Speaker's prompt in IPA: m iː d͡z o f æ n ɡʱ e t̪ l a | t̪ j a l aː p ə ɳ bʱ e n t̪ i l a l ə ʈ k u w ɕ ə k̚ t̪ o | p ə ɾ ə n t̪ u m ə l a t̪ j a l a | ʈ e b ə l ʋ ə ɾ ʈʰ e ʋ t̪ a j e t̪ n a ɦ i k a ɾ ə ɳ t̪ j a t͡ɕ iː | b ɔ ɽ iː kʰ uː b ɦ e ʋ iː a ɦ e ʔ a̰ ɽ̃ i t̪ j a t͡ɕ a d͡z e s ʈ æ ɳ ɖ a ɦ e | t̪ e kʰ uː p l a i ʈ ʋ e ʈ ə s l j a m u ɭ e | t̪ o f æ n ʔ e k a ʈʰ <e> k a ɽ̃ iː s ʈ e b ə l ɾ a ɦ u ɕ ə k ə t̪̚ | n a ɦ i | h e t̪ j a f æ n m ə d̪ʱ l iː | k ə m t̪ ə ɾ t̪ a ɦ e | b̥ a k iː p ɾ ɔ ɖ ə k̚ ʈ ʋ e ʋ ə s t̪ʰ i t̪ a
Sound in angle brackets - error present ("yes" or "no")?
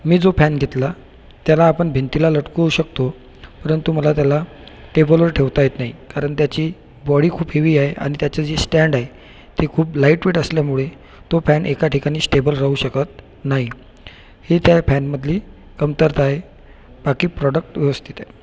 yes